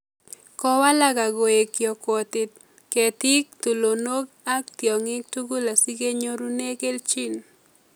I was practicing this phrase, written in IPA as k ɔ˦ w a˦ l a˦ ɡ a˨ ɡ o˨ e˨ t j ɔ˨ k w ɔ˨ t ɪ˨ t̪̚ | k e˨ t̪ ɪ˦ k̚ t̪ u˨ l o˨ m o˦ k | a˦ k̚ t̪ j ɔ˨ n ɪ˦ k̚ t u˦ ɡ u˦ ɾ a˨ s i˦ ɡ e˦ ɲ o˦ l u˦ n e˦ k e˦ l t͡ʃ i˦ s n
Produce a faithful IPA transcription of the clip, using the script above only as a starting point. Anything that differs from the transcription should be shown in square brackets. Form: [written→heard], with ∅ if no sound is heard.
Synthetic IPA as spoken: k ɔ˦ w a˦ l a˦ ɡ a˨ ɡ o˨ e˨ [t→k] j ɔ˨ k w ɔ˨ t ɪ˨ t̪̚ | k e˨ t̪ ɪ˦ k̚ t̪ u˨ l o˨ [m→n] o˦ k | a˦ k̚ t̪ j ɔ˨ [n→ŋ] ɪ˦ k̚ t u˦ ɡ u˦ [ɾ→l] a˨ s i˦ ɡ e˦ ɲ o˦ [l→ɾ] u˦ n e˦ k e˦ l t͡ʃ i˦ [s→∅] n